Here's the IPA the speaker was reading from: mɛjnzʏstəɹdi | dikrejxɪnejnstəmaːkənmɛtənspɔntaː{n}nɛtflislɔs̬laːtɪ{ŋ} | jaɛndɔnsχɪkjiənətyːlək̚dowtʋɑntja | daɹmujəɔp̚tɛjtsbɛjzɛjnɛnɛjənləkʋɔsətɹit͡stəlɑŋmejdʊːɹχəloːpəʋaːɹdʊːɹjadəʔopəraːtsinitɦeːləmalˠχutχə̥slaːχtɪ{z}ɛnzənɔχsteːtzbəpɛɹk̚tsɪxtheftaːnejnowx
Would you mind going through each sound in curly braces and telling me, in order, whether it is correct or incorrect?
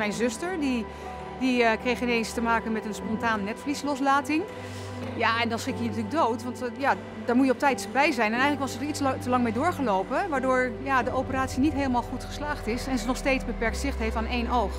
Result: correct, correct, incorrect: s

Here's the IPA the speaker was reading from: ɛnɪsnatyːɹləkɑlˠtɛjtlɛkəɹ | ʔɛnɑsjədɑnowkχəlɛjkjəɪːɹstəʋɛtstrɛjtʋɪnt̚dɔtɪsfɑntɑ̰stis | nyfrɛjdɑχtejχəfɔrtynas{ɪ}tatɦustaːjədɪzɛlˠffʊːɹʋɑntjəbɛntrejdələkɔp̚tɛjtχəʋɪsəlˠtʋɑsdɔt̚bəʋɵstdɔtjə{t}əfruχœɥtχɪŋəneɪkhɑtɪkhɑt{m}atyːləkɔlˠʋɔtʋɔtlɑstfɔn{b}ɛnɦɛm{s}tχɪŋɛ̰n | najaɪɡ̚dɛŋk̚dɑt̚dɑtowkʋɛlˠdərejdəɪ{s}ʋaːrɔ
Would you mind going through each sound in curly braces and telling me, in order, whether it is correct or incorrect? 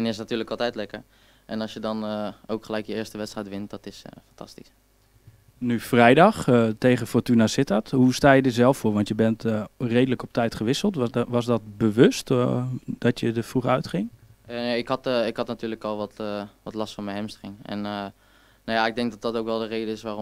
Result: correct, incorrect: d, incorrect: n, incorrect: m, correct, correct

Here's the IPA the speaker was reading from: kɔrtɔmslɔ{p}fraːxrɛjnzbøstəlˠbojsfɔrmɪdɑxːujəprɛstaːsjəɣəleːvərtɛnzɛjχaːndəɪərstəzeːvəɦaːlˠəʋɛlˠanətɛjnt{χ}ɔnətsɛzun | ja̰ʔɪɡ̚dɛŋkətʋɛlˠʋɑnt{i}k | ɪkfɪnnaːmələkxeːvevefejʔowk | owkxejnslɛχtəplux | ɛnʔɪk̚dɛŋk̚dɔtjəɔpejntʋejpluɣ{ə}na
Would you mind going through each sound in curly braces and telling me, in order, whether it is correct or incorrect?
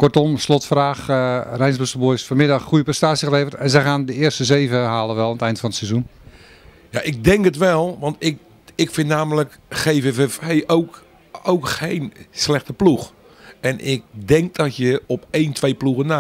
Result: incorrect: t, incorrect: f, incorrect: ɪ, correct

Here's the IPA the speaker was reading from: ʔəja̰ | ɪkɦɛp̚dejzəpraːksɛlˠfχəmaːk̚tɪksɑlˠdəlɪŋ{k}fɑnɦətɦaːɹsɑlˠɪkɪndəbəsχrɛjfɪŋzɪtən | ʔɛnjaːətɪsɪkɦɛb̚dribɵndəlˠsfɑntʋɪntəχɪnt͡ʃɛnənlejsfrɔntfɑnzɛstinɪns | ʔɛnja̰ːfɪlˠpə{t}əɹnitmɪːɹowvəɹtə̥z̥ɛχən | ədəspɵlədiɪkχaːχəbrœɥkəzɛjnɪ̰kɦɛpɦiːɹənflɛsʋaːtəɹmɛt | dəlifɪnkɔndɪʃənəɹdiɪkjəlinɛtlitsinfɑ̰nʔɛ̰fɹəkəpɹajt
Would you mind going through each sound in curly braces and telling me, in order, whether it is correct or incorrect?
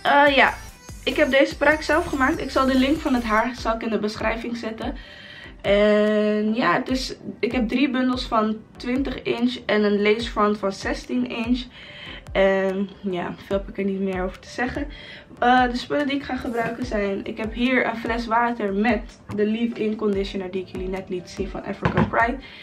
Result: correct, incorrect: k

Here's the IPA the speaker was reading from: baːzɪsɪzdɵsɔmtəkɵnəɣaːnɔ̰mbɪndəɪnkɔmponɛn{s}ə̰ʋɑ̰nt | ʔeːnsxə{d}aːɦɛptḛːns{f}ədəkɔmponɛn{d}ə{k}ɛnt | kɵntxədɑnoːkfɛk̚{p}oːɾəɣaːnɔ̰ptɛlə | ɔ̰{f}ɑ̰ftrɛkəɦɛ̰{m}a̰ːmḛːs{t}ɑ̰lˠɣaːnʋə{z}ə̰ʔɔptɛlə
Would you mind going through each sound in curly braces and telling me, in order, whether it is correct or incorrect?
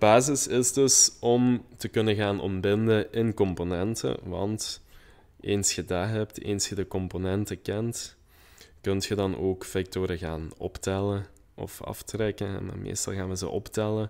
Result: incorrect: t, correct, incorrect: x, incorrect: t, correct, incorrect: t, correct, correct, correct, correct

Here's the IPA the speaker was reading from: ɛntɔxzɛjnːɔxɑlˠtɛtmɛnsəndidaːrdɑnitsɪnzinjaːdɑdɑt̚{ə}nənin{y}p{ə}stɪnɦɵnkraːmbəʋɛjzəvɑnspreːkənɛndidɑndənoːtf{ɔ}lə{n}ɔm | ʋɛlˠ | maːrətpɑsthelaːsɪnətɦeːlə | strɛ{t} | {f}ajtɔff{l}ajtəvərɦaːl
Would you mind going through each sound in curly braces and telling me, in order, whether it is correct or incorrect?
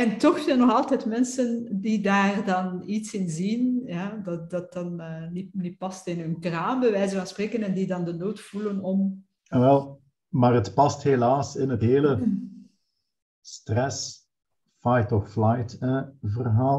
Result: incorrect: ɑ, incorrect: i, incorrect: ɑ, incorrect: u, correct, incorrect: s, correct, correct

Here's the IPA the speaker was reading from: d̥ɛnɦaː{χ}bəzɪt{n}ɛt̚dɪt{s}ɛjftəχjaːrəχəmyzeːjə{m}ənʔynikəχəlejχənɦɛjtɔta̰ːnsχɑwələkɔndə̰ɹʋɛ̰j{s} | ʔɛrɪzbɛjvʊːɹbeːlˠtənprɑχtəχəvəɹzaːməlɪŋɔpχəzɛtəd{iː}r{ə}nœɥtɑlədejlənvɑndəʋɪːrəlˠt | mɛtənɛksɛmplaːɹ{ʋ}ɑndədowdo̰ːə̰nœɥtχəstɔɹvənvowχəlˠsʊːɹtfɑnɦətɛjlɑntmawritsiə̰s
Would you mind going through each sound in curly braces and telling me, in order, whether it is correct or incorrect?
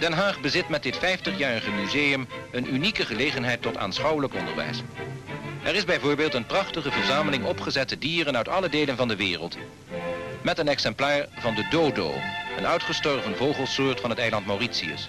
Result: correct, incorrect: m, incorrect: f, correct, correct, correct, correct, incorrect: v

